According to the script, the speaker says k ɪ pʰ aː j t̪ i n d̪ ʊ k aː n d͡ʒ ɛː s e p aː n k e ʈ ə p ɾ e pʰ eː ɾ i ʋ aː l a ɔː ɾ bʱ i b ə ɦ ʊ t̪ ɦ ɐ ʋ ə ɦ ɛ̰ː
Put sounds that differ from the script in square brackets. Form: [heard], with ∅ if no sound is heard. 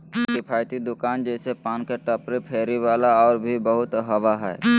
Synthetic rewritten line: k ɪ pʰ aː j t̪ i [∅] d̪ ʊ k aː n d͡ʒ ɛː s e p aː n k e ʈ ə p ɾ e pʰ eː ɾ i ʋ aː l a ɔː ɾ bʱ i b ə ɦ ʊ t̪ ɦ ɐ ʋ [a] ɦ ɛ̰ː